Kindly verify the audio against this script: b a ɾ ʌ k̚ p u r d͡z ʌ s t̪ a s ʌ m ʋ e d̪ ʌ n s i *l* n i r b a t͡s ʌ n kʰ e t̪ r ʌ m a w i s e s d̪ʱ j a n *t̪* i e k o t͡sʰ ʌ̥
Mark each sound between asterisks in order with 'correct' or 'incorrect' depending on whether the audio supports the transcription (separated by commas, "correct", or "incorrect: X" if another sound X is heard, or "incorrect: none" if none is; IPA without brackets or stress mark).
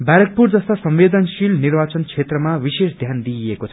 correct, incorrect: d̪